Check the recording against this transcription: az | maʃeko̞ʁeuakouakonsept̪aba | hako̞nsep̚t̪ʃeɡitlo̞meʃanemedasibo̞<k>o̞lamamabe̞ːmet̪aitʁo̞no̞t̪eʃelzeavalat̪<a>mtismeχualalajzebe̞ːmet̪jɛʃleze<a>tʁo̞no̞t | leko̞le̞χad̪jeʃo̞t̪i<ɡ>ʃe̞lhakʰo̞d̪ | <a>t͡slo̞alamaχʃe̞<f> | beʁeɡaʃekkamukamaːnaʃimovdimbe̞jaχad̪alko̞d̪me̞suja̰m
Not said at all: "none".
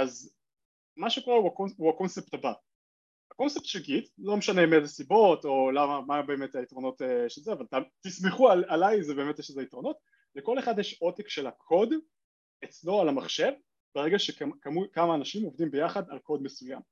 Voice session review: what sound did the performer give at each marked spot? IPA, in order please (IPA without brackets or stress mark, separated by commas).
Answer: t, a, i, k, e, v